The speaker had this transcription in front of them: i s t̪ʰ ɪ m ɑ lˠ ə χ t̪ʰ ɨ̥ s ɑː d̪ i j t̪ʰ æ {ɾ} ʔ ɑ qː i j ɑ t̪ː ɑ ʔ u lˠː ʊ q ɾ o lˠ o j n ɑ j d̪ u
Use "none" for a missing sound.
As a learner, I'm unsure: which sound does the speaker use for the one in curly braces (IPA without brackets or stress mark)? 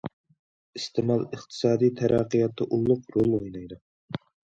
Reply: ɾ